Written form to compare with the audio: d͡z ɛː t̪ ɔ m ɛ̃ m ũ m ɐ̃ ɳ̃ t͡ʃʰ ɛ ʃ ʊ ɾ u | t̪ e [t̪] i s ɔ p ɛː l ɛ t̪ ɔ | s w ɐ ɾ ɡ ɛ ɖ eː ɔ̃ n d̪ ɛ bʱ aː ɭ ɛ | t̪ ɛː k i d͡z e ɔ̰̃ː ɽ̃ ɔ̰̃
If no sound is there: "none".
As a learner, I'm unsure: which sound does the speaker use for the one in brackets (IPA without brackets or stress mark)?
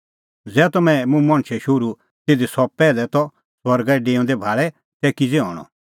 d̪